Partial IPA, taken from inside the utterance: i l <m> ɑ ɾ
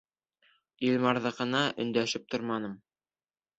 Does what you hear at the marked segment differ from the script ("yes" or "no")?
no